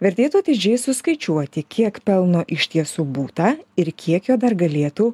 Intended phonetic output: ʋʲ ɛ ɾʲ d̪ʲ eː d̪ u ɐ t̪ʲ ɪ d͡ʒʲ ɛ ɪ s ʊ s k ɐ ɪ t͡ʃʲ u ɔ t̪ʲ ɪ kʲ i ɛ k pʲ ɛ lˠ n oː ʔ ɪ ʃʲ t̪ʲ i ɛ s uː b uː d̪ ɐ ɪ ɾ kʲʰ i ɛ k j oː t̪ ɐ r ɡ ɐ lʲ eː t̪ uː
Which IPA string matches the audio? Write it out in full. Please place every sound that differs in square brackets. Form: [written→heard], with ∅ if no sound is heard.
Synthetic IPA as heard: ʋʲ ɛ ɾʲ [d̪ʲ→t̪ʲ] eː [d̪→t̪] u ɐ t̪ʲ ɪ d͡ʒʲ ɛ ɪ s ʊ s k ɐ ɪ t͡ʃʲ u ɔ t̪ʲ ɪ kʲ i ɛ k pʲ ɛ lˠ n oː ʔ ɪ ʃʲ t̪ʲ i ɛ s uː b uː [d̪→t̪] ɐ ɪ ɾ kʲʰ i ɛ k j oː [t̪→d̪] ɐ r ɡ ɐ lʲ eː t̪ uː